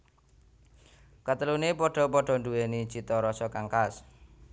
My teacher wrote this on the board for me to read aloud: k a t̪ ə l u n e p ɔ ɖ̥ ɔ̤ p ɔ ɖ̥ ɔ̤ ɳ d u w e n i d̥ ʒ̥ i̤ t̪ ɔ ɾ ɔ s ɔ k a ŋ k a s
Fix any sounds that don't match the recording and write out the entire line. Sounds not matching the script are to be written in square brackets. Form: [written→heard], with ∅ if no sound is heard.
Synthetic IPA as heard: k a t̪ ə l u n e p ɔ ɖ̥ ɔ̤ p ɔ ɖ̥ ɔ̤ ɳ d u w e n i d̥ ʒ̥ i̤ t̪ ɔ ɾ ɔ s ɔ k a ŋ k a s